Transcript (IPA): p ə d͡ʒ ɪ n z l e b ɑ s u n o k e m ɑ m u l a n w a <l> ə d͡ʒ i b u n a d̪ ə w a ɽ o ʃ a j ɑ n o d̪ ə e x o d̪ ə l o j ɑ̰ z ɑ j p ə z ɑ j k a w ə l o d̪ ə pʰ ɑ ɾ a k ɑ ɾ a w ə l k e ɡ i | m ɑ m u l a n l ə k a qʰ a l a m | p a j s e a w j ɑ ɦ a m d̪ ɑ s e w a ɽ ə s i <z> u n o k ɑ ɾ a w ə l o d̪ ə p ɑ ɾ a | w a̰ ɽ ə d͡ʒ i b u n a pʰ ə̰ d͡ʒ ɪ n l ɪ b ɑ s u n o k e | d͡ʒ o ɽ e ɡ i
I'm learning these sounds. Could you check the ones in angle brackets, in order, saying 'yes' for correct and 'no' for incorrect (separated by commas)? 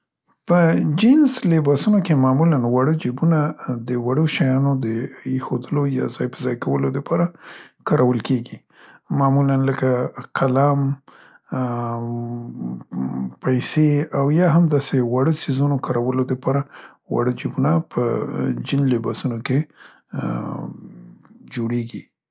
no, yes